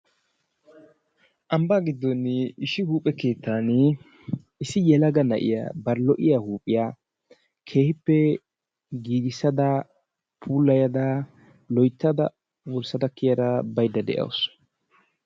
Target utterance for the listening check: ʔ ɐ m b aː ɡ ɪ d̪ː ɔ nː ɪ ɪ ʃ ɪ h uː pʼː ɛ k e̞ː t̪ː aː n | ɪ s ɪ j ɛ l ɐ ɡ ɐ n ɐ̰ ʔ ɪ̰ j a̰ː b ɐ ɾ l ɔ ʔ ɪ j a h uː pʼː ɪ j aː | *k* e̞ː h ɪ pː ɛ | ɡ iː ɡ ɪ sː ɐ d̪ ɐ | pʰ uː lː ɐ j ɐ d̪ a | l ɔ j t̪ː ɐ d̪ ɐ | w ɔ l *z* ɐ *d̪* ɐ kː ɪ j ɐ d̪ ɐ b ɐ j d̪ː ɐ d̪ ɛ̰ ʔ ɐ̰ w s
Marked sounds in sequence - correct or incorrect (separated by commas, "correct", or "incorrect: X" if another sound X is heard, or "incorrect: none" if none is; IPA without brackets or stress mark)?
incorrect: kʰ, incorrect: s, correct